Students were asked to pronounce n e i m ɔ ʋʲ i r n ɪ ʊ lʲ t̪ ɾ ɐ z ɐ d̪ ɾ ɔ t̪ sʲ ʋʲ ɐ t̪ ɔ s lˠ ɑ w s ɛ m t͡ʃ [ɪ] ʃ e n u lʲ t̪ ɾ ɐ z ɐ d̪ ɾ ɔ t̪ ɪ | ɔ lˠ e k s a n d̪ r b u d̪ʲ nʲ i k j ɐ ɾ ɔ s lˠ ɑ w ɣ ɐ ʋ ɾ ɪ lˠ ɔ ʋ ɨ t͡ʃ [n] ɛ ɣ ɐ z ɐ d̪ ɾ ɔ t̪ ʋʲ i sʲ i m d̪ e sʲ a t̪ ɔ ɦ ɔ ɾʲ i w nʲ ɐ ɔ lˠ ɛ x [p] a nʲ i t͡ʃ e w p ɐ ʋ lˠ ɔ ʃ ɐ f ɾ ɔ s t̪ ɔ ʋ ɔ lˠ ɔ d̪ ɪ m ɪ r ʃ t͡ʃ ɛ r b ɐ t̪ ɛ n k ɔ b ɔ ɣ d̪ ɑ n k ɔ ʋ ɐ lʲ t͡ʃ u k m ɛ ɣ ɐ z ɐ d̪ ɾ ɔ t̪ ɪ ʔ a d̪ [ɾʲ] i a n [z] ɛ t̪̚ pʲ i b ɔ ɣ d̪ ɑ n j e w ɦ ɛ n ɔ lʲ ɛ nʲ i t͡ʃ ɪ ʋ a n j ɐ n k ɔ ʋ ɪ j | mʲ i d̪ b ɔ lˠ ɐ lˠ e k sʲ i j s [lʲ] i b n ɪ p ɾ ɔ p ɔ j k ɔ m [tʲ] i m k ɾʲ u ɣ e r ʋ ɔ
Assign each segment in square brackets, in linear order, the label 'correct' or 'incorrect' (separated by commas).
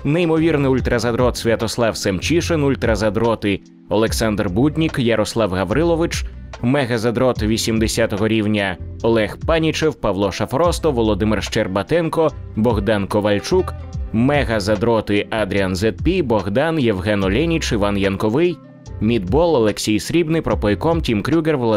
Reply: incorrect, incorrect, correct, correct, correct, incorrect, correct